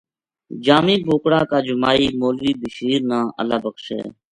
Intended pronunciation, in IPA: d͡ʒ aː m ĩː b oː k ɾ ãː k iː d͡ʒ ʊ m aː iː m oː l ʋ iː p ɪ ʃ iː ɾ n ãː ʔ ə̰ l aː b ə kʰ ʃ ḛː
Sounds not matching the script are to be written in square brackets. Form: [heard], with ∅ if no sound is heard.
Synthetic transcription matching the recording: d͡ʒ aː m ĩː b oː k [ɽ] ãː k [aː] d͡ʒ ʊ m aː iː m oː l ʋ iː [b] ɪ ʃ iː ɾ n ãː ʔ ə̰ l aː b ə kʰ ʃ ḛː